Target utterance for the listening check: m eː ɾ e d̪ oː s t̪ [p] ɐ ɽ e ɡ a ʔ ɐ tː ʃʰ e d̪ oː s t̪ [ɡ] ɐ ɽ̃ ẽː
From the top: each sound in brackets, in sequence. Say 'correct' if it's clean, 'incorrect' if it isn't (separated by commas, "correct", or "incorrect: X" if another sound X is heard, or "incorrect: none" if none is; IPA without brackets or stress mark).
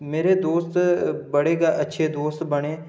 incorrect: b, incorrect: b